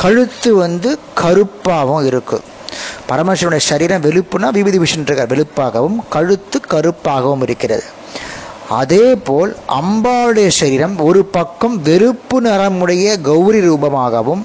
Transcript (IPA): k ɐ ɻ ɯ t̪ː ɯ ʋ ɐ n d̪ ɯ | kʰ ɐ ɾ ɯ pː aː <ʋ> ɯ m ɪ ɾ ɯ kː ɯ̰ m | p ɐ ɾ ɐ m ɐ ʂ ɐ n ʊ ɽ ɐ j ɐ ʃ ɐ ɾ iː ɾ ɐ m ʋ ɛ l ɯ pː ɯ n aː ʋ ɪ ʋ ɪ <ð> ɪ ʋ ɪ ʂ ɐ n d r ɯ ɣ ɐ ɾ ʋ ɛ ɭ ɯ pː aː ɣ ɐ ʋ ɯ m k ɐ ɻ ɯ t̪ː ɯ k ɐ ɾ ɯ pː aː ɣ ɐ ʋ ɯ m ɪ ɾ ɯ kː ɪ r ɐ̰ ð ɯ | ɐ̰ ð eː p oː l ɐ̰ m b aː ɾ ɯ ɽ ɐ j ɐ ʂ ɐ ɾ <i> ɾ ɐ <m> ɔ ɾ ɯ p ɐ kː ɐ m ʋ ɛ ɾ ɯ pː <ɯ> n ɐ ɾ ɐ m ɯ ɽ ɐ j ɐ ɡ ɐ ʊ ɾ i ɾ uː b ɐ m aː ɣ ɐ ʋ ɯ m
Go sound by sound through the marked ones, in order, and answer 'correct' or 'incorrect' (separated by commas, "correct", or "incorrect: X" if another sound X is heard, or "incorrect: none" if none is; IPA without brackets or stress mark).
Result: correct, correct, incorrect: iː, correct, correct